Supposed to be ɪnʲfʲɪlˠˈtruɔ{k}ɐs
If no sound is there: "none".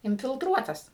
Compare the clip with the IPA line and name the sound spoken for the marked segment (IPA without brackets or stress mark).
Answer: t